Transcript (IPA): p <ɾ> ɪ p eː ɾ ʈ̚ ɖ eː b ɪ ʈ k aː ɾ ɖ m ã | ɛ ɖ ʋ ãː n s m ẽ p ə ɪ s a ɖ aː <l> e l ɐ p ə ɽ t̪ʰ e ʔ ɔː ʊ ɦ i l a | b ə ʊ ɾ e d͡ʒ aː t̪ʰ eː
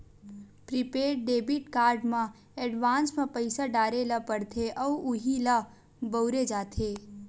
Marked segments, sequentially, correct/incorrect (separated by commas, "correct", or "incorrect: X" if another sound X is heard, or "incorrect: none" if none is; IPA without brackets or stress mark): correct, incorrect: ɾ